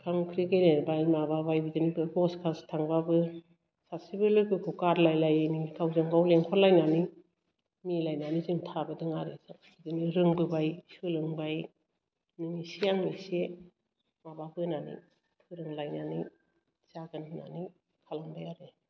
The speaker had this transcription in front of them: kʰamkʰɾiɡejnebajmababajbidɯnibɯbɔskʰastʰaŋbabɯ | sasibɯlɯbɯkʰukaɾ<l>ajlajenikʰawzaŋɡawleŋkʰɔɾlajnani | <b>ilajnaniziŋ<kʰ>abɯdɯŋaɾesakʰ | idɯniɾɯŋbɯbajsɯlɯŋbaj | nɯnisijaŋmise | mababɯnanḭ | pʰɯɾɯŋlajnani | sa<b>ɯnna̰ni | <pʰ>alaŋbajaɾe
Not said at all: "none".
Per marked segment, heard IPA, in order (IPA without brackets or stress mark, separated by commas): l, m, tʰ, ɡ, kʰ